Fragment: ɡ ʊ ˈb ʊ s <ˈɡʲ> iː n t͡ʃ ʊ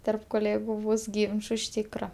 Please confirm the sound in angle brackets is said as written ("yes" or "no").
yes